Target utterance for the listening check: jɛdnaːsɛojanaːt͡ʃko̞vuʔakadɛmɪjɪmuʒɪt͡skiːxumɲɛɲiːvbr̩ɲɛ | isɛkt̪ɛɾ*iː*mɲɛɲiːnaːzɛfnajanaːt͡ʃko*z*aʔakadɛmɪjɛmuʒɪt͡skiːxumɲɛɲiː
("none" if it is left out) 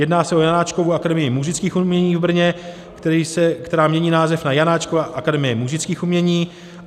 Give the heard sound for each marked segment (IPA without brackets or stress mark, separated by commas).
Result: aː, v